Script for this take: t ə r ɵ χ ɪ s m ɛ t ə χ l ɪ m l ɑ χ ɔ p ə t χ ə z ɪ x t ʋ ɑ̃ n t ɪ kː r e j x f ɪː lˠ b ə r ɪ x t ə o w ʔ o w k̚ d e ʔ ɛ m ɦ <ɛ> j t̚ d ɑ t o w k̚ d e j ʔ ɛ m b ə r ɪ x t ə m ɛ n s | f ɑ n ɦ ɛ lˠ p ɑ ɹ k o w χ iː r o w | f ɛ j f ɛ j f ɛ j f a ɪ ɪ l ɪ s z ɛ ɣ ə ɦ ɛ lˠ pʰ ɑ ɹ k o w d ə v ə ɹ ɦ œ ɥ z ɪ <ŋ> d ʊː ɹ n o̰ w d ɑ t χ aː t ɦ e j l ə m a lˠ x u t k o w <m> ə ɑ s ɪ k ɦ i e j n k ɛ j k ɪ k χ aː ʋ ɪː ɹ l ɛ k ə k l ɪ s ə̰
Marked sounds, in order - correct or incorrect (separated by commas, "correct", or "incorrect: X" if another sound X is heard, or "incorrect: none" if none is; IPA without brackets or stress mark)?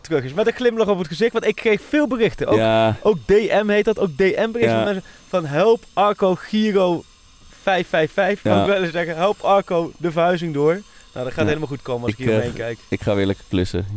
incorrect: e, correct, correct